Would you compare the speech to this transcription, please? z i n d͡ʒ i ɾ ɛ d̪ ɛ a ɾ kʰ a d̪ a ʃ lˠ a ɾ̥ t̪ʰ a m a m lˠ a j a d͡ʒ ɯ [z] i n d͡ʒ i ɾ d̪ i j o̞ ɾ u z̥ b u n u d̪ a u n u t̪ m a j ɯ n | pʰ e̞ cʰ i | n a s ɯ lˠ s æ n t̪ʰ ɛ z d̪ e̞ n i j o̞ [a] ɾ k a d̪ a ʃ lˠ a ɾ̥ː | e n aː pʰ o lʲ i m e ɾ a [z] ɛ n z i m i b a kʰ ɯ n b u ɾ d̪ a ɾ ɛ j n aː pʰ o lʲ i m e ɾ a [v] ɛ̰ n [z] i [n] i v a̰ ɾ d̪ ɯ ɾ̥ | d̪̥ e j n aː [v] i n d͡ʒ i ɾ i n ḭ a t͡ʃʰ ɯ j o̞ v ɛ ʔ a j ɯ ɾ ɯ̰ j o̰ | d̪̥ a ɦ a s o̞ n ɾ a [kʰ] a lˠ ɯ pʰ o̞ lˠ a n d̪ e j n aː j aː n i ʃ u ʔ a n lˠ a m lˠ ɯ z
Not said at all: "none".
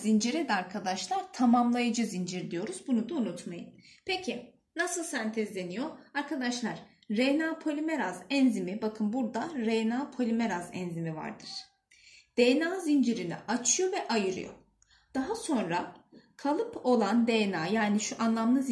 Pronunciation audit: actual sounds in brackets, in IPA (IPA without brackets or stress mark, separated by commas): z, a, z, z, z, m, z, kʰ